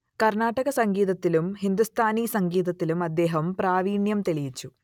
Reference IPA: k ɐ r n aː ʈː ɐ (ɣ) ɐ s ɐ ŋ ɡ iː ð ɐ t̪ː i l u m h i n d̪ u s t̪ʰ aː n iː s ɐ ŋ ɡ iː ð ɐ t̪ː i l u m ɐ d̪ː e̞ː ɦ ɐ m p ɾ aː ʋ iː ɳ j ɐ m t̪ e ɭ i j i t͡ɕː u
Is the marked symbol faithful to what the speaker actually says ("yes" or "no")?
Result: yes